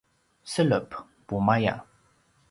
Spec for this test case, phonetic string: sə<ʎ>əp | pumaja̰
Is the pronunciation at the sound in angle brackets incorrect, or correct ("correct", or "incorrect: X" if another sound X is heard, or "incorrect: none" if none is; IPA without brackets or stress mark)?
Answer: incorrect: l